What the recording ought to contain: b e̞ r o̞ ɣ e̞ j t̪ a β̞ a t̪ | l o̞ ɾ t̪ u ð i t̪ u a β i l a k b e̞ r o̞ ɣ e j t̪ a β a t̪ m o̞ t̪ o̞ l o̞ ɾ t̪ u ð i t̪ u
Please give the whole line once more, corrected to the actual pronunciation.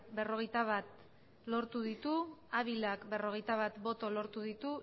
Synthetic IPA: b e̞ r o̞ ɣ e̞ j t̪ a β̞ a t̪ | l o̞ ɾ t̪ u ð i t̪ u a β i l a k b e̞ r o̞ ɣ e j t̪ a β a t̪ b o̞ t̪ o̞ l o̞ ɾ t̪ u ð i t̪ u